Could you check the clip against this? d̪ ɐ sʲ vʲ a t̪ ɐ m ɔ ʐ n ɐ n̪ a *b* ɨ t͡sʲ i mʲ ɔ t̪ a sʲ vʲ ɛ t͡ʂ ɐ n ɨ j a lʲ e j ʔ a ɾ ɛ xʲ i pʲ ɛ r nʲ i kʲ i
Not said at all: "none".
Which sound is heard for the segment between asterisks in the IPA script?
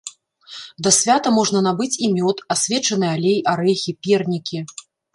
b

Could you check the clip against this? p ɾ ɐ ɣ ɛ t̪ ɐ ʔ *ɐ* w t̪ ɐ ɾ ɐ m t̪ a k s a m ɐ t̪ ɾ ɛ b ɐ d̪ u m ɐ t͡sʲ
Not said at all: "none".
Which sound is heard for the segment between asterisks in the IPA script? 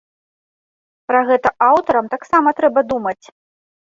a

